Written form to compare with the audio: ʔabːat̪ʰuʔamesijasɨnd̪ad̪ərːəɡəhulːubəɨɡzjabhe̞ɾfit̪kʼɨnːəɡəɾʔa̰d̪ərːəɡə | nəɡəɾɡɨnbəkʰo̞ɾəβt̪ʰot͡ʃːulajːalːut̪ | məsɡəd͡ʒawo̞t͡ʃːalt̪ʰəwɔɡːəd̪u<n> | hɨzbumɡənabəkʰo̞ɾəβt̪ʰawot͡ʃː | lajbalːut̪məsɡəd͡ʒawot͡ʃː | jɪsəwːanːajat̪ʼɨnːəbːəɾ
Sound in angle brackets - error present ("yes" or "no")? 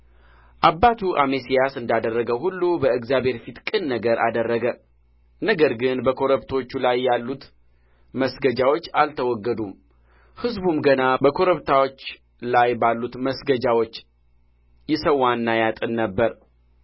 yes